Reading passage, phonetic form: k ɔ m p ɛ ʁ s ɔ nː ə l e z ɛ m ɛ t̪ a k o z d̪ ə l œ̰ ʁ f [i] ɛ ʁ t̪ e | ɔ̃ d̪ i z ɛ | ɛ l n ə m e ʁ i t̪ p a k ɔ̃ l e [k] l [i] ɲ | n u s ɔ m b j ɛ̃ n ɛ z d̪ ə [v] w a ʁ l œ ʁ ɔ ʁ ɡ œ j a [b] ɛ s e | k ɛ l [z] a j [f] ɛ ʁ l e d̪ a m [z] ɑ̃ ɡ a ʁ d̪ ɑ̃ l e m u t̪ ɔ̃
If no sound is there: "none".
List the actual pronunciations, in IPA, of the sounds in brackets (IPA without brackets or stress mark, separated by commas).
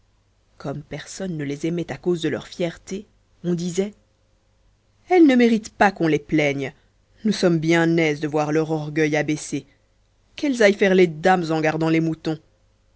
j, p, ɛ, v, b, z, f, z